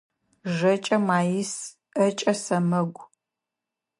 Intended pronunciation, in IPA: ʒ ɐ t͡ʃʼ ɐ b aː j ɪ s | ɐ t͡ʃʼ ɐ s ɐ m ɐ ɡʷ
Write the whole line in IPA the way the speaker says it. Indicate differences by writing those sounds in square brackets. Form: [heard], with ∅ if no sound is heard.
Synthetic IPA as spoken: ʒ ɐ t͡ʃʼ ɐ [m] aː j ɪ s | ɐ t͡ʃʼ ɐ s ɐ m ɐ ɡʷ